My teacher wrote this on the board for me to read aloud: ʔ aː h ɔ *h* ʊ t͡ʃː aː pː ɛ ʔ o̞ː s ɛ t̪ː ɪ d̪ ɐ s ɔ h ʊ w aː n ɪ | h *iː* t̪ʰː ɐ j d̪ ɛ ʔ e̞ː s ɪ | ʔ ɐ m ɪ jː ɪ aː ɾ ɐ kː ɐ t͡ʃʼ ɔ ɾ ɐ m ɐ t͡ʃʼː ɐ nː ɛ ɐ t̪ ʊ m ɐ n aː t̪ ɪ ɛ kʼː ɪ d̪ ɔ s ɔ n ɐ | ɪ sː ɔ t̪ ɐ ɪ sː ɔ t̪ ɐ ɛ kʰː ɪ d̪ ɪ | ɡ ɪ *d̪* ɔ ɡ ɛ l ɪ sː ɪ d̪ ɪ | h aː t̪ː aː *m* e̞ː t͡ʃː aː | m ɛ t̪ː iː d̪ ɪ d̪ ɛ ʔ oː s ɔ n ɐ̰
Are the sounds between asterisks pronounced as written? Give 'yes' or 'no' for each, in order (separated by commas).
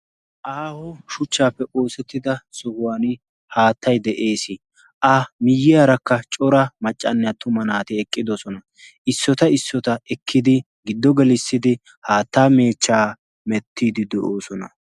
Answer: no, no, no, yes